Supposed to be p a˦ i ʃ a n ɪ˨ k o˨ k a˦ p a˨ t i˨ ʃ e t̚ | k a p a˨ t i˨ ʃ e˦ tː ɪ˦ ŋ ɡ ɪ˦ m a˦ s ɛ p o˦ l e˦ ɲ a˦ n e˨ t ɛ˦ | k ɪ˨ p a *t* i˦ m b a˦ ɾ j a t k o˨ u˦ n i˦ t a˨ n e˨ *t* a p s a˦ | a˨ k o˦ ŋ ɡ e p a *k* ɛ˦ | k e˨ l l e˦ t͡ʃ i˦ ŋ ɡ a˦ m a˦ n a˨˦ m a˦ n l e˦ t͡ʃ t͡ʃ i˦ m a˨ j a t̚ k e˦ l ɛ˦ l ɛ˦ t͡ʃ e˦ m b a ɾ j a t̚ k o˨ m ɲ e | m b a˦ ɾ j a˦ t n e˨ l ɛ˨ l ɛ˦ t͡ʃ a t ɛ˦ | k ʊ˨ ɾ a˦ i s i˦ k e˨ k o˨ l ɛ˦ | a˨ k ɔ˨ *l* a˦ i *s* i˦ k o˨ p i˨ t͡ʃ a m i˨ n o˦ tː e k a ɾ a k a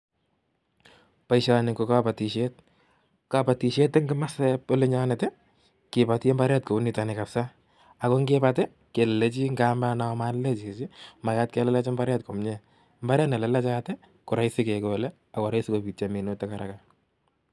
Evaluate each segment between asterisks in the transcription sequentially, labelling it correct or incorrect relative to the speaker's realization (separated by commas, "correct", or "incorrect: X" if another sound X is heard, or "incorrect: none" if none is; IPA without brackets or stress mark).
correct, incorrect: k, incorrect: t, incorrect: ɾ, correct